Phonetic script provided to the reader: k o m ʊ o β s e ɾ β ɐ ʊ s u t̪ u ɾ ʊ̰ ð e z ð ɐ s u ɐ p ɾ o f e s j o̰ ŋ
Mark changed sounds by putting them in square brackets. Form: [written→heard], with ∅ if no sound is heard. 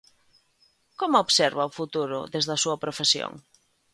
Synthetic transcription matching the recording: k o m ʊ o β s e ɾ β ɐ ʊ [s→f] u t̪ u ɾ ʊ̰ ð e z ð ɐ s u ɐ p ɾ o f e s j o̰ ŋ